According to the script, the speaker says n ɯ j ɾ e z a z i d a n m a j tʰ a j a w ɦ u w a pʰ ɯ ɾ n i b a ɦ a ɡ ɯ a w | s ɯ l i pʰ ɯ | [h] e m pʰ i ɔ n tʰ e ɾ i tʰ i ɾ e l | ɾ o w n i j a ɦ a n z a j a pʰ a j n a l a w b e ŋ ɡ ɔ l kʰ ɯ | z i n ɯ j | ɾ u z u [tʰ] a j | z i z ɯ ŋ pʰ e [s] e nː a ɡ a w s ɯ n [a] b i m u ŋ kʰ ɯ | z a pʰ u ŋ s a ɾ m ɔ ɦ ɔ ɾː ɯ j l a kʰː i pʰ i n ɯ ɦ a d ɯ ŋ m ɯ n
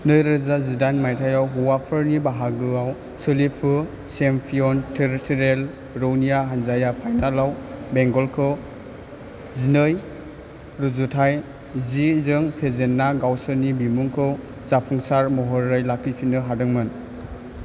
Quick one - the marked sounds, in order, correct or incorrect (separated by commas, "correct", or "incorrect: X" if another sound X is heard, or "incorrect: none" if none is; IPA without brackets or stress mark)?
incorrect: s, correct, incorrect: z, incorrect: i